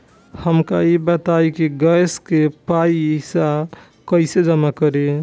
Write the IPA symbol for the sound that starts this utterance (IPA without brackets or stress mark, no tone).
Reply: h